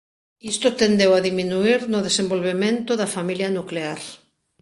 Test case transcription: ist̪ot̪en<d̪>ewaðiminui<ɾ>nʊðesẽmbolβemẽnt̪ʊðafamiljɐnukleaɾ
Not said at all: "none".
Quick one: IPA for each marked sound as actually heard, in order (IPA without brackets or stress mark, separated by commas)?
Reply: d̪, ɾ